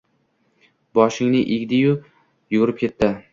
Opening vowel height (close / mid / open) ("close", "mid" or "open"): open